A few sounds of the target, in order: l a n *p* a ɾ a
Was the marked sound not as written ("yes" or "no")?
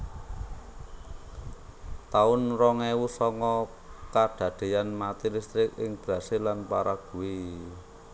no